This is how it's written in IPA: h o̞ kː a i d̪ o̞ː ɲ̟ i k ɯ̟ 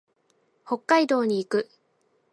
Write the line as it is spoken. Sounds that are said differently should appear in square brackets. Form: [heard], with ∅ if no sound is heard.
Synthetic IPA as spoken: h o̞ kː a i d̪ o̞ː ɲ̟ [iː] k ɯ̟